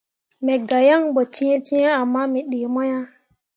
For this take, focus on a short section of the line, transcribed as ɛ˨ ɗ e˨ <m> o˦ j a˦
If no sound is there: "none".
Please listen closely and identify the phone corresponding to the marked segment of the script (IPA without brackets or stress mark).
m